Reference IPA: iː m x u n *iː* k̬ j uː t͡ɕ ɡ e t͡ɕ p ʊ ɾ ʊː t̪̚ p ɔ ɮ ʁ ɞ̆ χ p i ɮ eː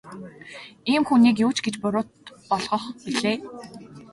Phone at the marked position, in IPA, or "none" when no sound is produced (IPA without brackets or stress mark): iː